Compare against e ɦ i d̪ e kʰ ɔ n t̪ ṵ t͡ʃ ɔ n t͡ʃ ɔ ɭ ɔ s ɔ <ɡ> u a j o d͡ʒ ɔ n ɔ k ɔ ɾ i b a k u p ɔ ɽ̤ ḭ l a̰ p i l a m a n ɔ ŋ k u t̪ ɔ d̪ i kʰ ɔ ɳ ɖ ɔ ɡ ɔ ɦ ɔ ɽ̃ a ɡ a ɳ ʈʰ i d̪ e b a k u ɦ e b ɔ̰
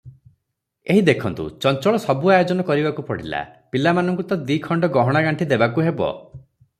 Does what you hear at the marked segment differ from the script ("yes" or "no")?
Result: yes